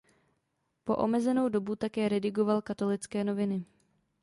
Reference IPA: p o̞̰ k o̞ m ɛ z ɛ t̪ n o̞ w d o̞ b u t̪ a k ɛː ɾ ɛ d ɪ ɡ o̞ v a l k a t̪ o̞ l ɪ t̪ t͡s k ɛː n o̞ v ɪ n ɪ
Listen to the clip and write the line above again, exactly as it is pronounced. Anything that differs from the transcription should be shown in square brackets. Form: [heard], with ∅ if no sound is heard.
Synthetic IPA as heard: p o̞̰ [ʔ] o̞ m ɛ z ɛ [∅] n o̞ w d o̞ b u t̪ a k ɛː ɾ ɛ d ɪ ɡ o̞ v a l k a t̪ o̞ l ɪ [∅] t͡s k ɛː n o̞ v ɪ n ɪ